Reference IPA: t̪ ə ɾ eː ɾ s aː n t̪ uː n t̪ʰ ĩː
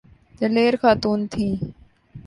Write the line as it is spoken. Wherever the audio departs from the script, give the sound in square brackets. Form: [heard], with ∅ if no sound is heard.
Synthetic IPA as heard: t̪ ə [l] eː ɾ [x] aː [∅] t̪ uː n t̪ʰ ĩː

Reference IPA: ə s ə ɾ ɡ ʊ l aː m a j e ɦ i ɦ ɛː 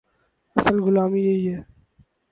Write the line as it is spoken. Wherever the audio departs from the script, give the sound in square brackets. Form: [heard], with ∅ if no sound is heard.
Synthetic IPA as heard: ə s ə [l] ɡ ʊ l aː m [i] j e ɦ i ɦ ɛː

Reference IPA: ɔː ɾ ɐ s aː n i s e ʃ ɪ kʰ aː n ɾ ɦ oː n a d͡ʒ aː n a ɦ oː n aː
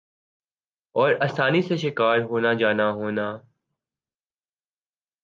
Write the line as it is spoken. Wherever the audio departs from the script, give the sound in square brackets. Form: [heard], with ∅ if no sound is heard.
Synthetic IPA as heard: ɔː ɾ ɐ s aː n i s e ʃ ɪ [k] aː [∅] ɾ ɦ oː n a d͡ʒ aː n a ɦ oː n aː

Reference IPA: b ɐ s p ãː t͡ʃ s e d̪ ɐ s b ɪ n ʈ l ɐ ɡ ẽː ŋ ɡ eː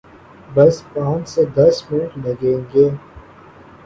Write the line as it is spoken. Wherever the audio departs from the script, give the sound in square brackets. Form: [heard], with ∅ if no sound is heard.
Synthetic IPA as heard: b ɐ s p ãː t͡ʃ s e d̪ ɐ s [m] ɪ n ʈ l ɐ ɡ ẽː ŋ ɡ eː

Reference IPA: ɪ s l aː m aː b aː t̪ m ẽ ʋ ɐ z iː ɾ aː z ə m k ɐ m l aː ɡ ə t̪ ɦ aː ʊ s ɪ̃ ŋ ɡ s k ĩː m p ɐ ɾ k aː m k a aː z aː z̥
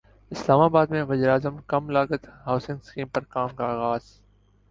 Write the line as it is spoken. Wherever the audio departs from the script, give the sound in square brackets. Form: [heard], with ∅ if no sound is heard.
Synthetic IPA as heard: ɪ s l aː m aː b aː [d̪] m ẽ ʋ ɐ z iː ɾ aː z ə m k ɐ m l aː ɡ ə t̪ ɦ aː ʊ s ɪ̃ ŋ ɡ s k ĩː m p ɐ ɾ k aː m k a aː [ɣ] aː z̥

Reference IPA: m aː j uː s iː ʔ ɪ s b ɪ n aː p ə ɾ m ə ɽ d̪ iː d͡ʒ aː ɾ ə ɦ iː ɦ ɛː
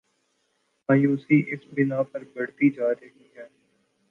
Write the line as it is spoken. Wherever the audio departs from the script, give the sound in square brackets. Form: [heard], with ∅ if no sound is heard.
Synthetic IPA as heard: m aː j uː s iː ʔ ɪ s b ɪ n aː p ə ɾ [b] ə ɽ [t̪] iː d͡ʒ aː ɾ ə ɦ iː ɦ ɛː

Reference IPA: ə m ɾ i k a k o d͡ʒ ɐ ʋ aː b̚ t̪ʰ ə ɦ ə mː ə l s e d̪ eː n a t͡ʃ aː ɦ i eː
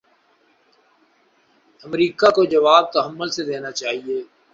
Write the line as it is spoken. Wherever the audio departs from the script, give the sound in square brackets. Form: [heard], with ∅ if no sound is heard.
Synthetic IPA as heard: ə m ɾ [iː] k a k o d͡ʒ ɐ ʋ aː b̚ [t̪] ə ɦ ə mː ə l s e d̪ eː n a t͡ʃ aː ɦ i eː

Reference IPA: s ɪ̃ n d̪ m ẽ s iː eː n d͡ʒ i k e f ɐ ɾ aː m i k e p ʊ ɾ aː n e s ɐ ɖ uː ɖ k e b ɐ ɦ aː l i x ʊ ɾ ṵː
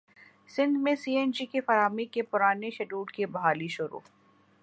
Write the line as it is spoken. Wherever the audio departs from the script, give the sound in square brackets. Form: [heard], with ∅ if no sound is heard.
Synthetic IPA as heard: s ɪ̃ n d̪ m ẽ s iː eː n d͡ʒ i k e f ɐ ɾ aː m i k e p ʊ ɾ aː n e [ʃ] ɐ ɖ uː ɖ k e b ɐ ɦ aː l i [ʃ] ʊ ɾ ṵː

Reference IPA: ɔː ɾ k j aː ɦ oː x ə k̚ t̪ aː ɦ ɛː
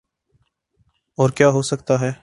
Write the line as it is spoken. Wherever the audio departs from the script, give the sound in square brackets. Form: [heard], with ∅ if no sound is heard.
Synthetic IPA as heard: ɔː ɾ k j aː ɦ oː [s] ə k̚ t̪ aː ɦ ɛː

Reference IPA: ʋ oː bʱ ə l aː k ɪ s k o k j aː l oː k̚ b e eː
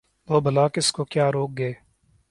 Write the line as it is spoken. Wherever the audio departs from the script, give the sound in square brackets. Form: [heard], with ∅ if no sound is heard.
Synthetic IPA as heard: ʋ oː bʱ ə l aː k ɪ s k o k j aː [ɾ] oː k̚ [ɡ] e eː

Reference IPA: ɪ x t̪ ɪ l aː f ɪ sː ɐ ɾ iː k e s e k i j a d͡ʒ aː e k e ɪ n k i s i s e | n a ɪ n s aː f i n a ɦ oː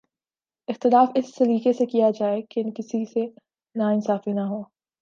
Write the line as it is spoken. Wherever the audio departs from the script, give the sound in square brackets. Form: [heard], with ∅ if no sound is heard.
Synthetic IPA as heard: ɪ x t̪ ɪ l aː f ɪ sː ɐ ɾ iː k e s e k i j a d͡ʒ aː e k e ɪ n k [ɪ] s i s e | n a ɪ n s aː f i n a ɦ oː

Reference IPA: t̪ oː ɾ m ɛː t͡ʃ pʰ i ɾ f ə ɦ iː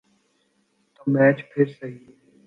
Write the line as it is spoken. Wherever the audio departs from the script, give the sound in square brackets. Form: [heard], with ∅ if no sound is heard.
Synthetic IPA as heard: t̪ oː [∅] m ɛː t͡ʃ pʰ [ɪ] ɾ [s] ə ɦ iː

